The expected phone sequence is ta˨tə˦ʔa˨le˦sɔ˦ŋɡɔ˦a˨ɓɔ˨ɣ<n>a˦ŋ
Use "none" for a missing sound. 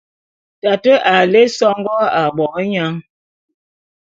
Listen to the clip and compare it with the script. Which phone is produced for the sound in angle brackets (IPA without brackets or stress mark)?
ɲ